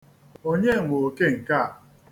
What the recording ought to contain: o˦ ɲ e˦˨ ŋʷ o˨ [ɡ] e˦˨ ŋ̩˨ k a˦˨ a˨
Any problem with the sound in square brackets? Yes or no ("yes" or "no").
yes